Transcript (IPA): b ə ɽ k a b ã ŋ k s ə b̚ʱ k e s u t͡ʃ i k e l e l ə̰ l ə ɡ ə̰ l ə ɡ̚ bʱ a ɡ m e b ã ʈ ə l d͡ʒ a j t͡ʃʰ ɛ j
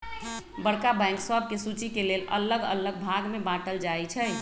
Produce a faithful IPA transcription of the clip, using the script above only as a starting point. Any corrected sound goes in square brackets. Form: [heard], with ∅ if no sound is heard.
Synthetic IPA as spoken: b ə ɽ k a b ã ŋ k s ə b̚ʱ k e s u t͡ʃ i k e l e l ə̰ l ə ɡ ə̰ l ə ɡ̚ bʱ a ɡ m e b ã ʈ ə l d͡ʒ a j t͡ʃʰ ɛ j